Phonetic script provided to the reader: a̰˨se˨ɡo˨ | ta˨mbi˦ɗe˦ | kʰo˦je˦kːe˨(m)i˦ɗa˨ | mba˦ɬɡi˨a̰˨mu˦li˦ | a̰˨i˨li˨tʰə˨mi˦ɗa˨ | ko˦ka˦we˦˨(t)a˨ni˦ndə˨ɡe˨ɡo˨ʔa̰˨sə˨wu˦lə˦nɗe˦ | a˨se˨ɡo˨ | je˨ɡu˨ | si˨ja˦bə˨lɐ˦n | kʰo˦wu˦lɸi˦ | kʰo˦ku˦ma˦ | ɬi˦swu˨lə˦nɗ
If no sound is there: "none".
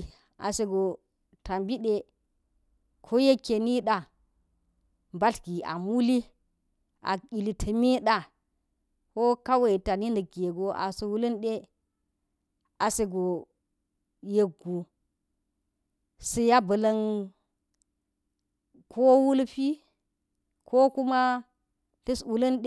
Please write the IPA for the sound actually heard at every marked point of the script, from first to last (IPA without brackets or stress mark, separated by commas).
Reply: n, t